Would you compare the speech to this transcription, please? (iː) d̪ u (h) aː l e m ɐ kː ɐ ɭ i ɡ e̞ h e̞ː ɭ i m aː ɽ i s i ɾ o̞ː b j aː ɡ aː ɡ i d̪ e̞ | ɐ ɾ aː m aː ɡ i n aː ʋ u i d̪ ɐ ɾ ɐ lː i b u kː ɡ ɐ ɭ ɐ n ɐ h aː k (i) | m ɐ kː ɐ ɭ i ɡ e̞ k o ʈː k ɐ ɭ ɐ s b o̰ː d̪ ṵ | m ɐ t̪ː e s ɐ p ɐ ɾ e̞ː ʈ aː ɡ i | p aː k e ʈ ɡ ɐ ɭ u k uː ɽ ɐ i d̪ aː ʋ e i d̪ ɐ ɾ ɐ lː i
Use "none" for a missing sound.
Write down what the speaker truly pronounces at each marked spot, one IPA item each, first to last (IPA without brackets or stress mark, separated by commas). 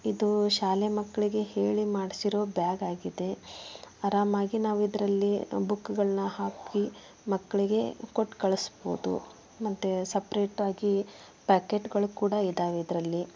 i, ʃ, i